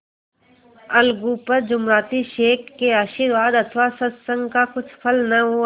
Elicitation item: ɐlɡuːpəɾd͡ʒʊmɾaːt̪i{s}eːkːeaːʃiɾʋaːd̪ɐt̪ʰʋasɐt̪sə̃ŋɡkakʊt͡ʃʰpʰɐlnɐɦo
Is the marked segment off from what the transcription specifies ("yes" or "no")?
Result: yes